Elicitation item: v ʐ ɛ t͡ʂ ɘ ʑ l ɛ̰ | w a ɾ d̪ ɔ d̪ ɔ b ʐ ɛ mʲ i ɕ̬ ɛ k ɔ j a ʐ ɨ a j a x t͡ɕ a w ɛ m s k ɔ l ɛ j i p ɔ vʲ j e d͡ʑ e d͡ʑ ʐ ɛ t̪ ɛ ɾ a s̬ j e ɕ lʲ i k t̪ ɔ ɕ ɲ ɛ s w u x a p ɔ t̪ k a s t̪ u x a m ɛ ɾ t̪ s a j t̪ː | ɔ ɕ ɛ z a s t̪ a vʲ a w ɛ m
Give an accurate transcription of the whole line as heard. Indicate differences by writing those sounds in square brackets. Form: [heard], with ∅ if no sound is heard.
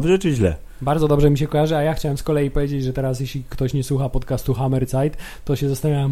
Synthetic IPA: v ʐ ɛ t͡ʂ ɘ ʑ l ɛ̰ | [b] a ɾ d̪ ɔ d̪ ɔ b ʐ ɛ mʲ i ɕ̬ ɛ k ɔ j a ʐ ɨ a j a x t͡ɕ a w ɛ m s k ɔ l ɛ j i p ɔ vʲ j e d͡ʑ e d͡ʑ ʐ ɛ t̪ ɛ ɾ a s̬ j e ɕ lʲ i k t̪ ɔ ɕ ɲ ɛ s w u x a p ɔ t̪ k a s t̪ u x a m ɛ ɾ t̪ s a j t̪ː | ɔ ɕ ɛ z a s t̪ a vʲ a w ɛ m